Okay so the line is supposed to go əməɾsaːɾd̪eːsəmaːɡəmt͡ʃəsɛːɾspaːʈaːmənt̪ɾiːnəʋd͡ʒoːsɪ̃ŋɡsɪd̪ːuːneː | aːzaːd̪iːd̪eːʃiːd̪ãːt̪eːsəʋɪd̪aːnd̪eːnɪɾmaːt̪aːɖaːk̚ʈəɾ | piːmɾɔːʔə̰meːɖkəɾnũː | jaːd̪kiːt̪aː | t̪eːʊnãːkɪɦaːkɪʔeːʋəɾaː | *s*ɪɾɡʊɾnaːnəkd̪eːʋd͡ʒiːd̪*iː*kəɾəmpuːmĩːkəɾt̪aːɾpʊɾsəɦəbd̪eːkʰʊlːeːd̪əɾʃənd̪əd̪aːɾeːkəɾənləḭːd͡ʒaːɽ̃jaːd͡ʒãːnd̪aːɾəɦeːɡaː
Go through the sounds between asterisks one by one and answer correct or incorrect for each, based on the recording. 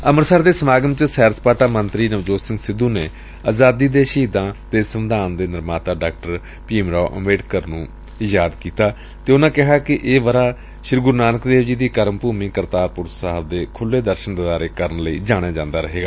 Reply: incorrect, correct

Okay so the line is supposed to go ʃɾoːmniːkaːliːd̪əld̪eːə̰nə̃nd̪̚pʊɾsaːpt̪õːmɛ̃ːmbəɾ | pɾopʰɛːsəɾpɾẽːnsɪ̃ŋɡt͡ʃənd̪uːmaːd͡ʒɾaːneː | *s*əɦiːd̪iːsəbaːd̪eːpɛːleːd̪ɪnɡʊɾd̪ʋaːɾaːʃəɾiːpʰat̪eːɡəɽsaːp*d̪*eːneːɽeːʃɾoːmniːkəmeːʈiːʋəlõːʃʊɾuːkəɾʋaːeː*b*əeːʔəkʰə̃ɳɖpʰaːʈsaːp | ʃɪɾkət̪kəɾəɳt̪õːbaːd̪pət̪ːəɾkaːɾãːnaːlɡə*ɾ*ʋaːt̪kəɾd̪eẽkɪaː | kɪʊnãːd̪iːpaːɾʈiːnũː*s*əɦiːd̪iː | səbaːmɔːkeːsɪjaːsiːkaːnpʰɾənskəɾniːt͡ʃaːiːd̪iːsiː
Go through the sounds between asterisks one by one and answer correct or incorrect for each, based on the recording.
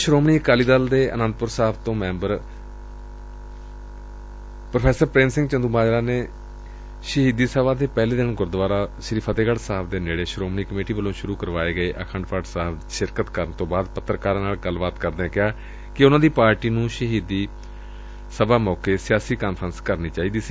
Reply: incorrect, correct, incorrect, incorrect, incorrect

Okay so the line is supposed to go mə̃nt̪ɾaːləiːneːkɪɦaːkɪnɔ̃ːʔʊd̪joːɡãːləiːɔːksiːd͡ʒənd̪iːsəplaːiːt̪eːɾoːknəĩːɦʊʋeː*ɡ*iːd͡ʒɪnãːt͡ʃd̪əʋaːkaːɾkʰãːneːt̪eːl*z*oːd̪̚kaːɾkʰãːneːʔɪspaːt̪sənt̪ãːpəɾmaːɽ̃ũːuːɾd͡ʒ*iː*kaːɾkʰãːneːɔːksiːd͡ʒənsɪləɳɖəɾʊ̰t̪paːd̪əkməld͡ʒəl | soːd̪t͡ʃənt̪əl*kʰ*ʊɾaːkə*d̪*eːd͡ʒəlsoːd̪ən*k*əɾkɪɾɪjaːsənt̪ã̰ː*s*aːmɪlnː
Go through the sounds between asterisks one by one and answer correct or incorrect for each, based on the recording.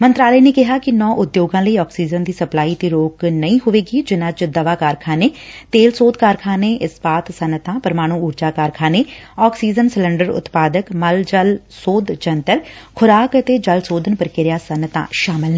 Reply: correct, incorrect, incorrect, correct, incorrect, incorrect, incorrect

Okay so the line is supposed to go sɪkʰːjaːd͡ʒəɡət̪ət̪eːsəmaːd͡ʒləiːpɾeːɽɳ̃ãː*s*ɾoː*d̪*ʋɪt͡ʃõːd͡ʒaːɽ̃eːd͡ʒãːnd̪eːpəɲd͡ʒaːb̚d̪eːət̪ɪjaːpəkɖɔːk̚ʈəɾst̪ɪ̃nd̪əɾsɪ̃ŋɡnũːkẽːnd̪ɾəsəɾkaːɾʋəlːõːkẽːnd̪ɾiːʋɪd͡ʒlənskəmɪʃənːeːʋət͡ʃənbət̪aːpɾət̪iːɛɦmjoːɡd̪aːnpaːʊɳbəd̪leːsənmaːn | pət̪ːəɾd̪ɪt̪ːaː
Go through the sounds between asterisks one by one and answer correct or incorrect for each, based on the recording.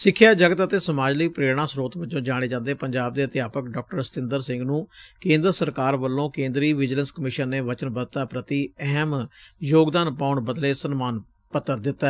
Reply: correct, incorrect

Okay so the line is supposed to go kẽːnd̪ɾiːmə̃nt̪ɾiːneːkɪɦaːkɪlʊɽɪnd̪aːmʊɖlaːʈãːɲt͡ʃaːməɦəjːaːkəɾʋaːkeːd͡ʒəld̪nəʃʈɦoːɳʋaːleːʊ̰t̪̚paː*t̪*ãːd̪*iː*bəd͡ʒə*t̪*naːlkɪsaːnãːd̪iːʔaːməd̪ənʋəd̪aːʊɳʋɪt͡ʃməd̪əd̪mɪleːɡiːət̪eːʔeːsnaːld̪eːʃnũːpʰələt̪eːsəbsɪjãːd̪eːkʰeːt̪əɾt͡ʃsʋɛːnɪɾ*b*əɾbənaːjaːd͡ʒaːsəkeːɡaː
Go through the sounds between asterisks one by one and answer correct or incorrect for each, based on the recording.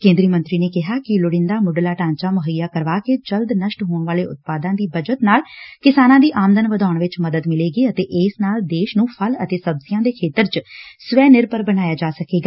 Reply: incorrect, correct, correct, incorrect

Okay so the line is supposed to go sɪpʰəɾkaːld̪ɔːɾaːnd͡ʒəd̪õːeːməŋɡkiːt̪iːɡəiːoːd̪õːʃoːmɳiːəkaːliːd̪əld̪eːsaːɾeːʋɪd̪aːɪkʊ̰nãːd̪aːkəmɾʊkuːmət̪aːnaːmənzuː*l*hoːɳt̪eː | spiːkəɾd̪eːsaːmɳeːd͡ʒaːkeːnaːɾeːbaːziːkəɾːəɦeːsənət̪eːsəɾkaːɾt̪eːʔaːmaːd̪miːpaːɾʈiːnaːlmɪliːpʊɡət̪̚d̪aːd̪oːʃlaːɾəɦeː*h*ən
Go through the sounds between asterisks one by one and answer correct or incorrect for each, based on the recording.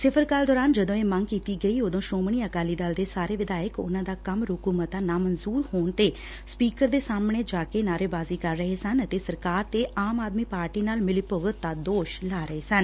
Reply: incorrect, incorrect

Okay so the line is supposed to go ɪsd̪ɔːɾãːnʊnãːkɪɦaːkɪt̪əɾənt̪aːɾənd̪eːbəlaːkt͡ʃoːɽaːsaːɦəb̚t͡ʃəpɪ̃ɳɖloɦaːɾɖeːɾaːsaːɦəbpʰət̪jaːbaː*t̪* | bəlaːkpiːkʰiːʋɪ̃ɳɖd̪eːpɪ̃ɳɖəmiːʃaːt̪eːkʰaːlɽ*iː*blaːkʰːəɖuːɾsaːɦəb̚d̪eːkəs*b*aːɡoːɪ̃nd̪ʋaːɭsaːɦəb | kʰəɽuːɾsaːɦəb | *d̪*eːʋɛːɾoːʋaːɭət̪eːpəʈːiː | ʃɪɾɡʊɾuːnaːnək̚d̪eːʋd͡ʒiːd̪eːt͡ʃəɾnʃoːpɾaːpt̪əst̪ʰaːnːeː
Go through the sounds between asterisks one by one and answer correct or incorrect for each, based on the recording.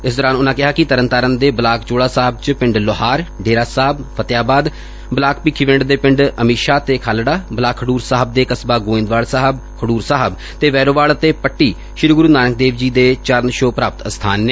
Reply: incorrect, incorrect, correct, incorrect

